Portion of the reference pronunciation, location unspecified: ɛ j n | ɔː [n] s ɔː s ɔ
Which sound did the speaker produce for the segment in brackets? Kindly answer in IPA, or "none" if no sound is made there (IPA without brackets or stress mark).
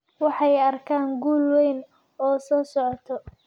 none